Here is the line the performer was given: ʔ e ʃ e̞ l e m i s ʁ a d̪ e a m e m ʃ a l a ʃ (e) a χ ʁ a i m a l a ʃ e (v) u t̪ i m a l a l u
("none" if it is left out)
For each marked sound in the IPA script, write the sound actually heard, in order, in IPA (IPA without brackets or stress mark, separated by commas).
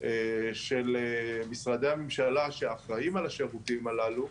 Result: e, ʁ